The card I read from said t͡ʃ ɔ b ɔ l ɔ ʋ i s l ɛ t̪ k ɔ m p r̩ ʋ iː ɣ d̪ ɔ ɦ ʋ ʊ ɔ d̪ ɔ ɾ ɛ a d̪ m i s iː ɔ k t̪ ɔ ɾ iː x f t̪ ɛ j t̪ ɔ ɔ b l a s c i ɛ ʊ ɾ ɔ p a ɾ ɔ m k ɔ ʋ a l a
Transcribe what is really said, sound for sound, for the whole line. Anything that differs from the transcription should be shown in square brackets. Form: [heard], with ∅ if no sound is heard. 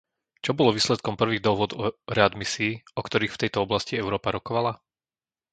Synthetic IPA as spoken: t͡ʃ ɔ b ɔ l ɔ ʋ [iː] s l ɛ t̪ k ɔ m p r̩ ʋ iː ɣ d̪ ɔ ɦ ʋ ʊ ɔ d̪ ɔ ɾ ɛ a d̪ m i s iː ɔ k t̪ ɔ ɾ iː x f t̪ ɛ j t̪ ɔ ɔ b l a s c i ɛ ʊ ɾ [ɔː] p a ɾ ɔ [∅] k ɔ ʋ a l a